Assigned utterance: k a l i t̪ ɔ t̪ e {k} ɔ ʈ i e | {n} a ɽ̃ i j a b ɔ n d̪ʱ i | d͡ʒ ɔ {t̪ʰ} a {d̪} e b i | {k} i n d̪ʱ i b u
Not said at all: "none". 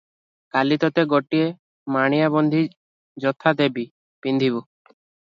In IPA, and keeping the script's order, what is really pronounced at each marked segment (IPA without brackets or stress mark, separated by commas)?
ɡ, m, t̪ʰ, d̪, p